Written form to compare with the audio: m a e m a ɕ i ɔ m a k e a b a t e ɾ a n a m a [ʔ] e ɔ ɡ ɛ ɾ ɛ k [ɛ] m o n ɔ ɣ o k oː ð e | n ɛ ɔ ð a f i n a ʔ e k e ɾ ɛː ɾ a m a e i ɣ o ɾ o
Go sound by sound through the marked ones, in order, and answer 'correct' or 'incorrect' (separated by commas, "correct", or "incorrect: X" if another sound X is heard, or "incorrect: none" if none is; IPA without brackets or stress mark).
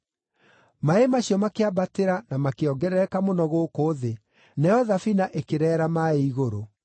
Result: incorrect: k, incorrect: a